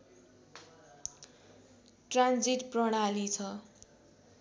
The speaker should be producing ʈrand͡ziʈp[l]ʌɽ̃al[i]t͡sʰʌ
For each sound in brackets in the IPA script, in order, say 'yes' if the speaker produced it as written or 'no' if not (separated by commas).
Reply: no, yes